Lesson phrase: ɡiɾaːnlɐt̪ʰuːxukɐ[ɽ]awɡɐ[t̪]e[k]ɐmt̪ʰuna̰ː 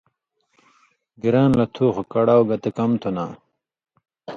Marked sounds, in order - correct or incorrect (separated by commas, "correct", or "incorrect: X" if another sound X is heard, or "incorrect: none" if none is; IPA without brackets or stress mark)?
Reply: correct, correct, correct